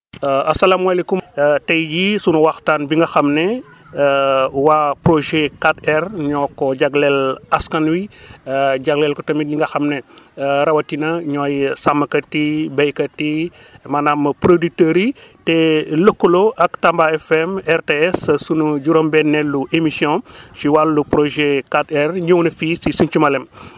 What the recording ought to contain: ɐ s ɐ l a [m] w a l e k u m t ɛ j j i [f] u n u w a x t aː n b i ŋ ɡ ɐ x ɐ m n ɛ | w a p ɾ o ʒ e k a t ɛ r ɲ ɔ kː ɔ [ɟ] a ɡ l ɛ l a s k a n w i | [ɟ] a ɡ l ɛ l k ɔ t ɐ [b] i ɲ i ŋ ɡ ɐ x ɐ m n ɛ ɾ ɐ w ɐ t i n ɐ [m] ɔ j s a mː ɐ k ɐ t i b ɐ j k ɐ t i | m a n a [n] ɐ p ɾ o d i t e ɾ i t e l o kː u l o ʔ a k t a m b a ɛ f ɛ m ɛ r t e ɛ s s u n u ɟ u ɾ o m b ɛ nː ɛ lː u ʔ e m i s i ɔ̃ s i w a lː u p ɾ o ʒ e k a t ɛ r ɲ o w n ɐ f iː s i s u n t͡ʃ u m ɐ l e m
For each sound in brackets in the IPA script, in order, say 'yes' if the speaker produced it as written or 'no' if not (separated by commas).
yes, no, yes, yes, no, no, no